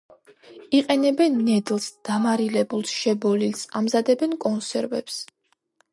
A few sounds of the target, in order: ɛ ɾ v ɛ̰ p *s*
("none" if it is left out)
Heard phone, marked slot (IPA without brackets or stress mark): s